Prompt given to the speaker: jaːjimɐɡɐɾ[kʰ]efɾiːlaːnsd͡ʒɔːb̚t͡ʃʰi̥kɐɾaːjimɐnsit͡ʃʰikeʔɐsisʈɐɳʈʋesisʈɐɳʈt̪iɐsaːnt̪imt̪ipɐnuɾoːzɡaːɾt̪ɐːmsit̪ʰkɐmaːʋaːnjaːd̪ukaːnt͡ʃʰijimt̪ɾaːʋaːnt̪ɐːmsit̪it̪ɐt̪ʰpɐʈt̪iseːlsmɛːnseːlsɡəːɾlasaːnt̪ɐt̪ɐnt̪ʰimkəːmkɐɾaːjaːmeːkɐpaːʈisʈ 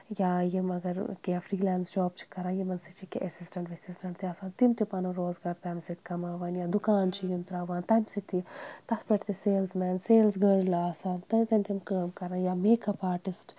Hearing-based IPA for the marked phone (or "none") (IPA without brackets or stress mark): k